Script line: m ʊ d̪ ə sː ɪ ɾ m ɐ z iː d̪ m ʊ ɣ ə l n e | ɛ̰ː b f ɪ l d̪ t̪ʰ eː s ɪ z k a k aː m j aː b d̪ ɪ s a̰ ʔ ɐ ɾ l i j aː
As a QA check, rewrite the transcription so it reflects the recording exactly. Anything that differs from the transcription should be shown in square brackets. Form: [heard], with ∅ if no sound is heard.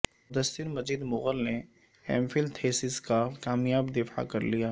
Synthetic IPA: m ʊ d̪ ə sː ɪ ɾ m ɐ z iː d̪ m ʊ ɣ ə l n e | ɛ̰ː [m] f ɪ l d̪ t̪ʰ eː s ɪ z k a k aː m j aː b d̪ ɪ [f] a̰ [k] ɐ ɾ l i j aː